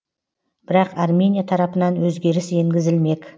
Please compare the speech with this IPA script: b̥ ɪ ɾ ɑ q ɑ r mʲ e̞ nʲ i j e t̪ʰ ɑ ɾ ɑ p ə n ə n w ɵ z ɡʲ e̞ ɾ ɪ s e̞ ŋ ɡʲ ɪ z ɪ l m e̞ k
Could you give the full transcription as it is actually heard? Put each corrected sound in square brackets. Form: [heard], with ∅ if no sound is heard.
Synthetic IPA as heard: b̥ ɪ ɾ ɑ q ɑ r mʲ e̞ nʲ i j [a] t̪ʰ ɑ ɾ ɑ p ə n [ɑ] n w ɵ z ɡʲ e̞ ɾ ɪ s e̞ ŋ ɡʲ ɪ z ɪ l m e̞ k